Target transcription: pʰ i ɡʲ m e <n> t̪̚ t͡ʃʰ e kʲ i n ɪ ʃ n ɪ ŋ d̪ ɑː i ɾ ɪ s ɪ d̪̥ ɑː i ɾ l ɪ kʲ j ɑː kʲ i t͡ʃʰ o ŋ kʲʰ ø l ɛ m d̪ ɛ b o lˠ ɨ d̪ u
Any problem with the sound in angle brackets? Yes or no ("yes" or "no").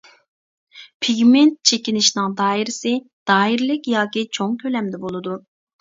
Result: no